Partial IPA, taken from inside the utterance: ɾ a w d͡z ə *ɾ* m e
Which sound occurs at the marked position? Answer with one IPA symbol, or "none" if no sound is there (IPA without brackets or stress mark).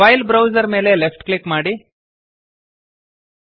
ɾ